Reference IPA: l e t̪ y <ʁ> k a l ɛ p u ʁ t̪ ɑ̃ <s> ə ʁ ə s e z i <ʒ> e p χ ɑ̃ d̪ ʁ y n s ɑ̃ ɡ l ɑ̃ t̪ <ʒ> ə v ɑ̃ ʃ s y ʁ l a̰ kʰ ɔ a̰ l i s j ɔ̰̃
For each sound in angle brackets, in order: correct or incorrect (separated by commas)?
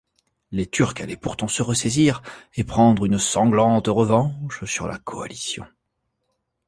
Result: correct, correct, incorrect, incorrect